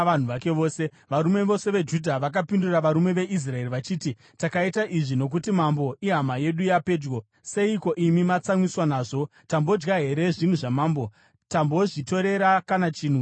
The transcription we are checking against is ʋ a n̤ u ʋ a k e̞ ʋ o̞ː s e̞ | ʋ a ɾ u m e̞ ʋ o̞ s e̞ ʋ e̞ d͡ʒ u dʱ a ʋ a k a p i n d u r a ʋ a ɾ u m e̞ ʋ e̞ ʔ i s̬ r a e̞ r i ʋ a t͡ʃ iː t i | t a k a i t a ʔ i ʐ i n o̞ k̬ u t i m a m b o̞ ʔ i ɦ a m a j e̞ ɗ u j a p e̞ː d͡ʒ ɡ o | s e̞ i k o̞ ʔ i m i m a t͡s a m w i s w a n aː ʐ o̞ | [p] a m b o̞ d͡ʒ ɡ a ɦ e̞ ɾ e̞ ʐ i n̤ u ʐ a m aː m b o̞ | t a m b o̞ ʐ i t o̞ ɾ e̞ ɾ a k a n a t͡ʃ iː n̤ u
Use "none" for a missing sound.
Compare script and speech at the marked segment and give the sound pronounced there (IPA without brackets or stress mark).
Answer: t